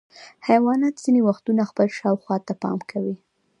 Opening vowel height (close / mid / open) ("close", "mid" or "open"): open